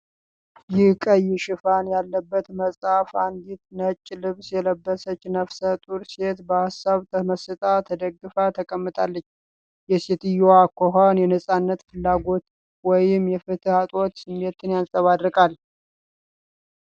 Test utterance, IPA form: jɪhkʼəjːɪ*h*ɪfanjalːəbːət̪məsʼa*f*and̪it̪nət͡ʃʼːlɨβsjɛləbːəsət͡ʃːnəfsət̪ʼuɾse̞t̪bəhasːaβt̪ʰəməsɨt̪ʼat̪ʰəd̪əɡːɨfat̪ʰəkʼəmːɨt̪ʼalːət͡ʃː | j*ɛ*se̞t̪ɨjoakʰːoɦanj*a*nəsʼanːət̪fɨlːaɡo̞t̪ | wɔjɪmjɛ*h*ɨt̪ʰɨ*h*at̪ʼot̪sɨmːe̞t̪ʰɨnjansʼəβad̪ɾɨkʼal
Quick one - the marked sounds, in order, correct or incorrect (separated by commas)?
incorrect, correct, correct, incorrect, incorrect, correct